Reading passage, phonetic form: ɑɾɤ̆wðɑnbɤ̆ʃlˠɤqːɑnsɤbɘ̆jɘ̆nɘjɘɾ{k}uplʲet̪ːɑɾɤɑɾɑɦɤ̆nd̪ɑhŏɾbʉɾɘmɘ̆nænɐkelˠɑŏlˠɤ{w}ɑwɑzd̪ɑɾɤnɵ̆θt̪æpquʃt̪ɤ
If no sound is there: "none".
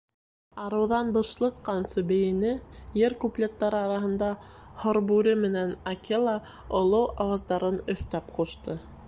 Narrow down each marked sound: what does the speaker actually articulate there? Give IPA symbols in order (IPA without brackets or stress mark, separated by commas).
k, w